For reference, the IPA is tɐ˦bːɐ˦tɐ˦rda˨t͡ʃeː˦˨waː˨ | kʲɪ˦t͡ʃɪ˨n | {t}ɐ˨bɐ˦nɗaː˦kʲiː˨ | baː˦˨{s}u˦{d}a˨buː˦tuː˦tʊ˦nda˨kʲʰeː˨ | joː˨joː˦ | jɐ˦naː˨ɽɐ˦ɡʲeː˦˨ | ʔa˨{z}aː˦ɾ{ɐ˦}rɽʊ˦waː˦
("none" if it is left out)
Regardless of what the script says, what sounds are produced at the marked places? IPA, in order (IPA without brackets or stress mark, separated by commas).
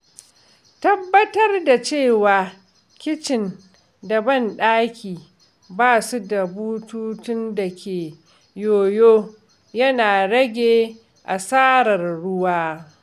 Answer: d, s, d, s, ɐ˨